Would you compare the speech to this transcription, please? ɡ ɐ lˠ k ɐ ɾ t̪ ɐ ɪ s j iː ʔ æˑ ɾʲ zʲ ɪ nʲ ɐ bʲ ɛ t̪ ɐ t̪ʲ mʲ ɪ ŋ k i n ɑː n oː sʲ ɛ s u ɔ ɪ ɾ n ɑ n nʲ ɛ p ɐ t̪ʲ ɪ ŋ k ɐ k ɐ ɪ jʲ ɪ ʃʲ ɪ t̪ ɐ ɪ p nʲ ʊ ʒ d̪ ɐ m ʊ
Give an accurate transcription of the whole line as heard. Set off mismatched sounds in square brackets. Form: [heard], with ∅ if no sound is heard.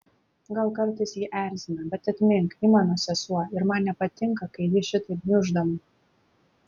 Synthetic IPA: ɡ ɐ lˠ k ɐ ɾ t̪ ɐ ɪ s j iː ʔ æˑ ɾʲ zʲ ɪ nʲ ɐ bʲ ɛ t̪ ɐ t̪ʲ mʲ ɪ ŋ k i [m] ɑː n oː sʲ ɛ s u ɔ ɪ ɾ [m] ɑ n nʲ ɛ p ɐ t̪ʲ ɪ ŋ k ɐ k ɐ ɪ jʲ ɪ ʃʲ ɪ t̪ ɐ ɪ p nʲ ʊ ʒ d̪ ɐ m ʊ

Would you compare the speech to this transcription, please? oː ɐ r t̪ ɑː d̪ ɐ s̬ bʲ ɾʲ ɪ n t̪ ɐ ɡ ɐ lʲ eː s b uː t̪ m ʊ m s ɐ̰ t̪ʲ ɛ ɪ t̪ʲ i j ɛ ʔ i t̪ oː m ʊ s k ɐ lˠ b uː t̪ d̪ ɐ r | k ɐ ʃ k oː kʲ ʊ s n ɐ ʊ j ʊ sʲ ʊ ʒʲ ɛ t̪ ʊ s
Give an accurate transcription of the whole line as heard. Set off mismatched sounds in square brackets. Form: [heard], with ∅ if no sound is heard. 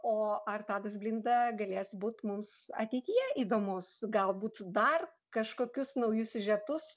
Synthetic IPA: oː ɐ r t̪ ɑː d̪ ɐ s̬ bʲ [lʲ] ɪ n [d̪] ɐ ɡ ɐ lʲ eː s b uː t̪ m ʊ m s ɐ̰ t̪ʲ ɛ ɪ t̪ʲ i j ɛ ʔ i [d̪] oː m ʊ s [ɡ] ɐ lˠ b uː t̪ d̪ ɐ r | k ɐ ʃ k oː kʲ ʊ s n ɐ ʊ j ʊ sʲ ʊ ʒʲ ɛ t̪ ʊ s

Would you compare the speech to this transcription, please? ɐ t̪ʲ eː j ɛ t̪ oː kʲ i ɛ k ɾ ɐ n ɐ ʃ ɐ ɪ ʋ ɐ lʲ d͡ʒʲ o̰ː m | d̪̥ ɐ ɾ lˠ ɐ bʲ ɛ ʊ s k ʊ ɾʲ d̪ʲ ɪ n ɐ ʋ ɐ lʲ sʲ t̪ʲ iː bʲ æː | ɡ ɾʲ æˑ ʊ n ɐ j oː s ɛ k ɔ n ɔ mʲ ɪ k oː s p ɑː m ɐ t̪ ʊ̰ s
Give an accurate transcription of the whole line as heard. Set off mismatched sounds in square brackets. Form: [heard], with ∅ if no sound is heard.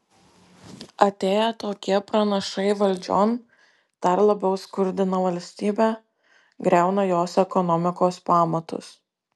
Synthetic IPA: ɐ t̪ʲ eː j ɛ t̪ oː kʲ i ɛ [p] ɾ ɐ n ɐ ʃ ɐ ɪ ʋ ɐ lʲ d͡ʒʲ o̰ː [n] | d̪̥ ɐ ɾ lˠ ɐ bʲ ɛ ʊ s k ʊ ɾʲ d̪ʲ ɪ n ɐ ʋ ɐ lʲ sʲ t̪ʲ iː bʲ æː | ɡ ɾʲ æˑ ʊ n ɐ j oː s ɛ k ɔ n ɔ mʲ ɪ k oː s p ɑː m ɐ t̪ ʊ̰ s

